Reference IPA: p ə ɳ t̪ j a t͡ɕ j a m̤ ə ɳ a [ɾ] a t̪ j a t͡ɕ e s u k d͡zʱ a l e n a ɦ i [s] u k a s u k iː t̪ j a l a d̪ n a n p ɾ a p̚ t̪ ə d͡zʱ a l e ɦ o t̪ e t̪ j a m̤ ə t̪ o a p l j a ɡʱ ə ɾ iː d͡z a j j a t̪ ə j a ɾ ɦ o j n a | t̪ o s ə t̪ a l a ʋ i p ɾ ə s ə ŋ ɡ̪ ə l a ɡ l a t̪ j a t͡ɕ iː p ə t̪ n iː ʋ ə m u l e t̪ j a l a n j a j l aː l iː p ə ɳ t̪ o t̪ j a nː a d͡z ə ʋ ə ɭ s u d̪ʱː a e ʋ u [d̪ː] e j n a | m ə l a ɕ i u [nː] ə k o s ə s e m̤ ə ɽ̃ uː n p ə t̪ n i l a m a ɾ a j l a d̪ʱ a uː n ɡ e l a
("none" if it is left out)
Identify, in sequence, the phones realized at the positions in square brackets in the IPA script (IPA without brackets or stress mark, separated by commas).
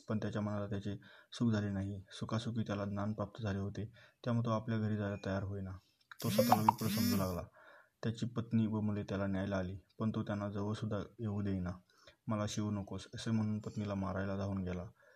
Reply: l, s, d̪, n